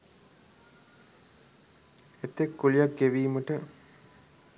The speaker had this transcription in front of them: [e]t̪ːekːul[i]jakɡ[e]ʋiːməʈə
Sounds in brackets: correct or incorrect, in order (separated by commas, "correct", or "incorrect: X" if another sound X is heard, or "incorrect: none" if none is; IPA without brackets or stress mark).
correct, correct, correct